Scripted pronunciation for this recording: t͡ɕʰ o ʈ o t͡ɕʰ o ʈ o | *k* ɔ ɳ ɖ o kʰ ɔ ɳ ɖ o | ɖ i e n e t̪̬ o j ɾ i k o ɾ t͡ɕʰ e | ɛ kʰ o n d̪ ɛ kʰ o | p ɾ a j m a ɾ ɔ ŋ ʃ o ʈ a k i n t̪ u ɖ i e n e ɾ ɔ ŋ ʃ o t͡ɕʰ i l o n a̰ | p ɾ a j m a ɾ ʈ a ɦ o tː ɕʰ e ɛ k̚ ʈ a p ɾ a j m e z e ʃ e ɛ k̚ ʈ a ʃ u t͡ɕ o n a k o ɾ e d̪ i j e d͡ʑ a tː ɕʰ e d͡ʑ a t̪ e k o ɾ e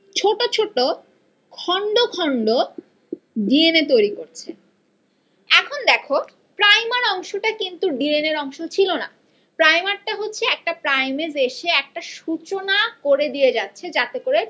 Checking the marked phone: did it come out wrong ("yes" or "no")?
yes